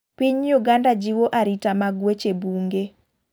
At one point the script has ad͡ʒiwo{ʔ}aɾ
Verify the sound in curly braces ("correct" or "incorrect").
correct